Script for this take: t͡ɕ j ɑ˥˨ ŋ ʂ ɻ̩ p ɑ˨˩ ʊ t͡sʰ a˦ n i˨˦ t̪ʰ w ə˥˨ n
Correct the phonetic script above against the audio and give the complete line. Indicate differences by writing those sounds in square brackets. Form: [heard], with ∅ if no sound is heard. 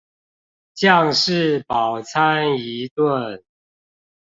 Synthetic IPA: t͡ɕ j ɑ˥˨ ŋ ʂ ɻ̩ p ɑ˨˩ ʊ t͡sʰ a˦ n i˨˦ [t̪] w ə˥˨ n